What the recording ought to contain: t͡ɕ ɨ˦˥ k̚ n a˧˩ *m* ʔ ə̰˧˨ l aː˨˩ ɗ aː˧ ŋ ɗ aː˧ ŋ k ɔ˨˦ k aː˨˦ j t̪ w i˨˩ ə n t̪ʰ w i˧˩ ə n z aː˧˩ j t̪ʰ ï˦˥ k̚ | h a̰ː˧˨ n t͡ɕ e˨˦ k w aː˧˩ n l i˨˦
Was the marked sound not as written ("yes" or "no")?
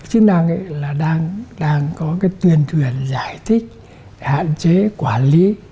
yes